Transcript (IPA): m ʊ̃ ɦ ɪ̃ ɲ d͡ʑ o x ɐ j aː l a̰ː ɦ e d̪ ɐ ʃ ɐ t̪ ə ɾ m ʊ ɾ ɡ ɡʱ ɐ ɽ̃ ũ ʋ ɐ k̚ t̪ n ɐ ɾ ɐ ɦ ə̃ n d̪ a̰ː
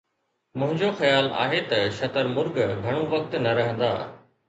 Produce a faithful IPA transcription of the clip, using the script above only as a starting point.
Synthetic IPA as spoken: m ʊ̃ ɦ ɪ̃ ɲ d͡ʑ o x ɐ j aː l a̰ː ɦ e t̪ ɐ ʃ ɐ t̪ ə ɾ m ʊ ɾ ɡ ɡʱ ɐ ɽ̃ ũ ʋ ɐ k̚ t̪ n ɐ ɾ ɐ ɦ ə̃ n d̪ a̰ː